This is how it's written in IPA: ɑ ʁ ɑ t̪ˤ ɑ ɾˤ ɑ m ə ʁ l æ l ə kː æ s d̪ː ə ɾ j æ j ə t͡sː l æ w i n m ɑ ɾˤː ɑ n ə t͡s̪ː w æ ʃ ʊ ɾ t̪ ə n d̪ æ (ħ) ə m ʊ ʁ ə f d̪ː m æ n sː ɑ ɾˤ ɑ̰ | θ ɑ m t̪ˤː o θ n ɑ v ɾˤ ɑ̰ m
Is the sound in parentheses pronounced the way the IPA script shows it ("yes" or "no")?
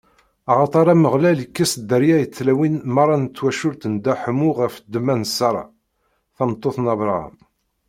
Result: yes